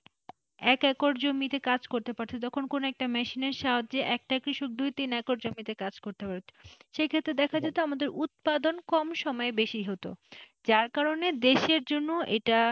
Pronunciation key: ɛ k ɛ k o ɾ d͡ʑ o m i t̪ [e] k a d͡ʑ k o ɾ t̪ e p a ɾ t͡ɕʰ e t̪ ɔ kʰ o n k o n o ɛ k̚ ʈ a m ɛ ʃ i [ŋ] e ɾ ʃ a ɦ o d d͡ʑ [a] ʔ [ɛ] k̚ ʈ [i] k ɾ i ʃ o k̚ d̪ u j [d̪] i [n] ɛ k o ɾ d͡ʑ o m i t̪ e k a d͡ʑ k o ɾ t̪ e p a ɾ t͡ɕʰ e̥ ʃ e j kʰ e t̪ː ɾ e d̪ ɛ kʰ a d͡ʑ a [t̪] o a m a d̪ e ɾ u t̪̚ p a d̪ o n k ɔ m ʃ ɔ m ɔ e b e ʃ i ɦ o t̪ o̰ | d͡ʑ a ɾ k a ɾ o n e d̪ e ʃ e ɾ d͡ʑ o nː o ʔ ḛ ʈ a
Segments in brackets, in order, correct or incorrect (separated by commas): correct, incorrect, incorrect, correct, incorrect, incorrect, correct, correct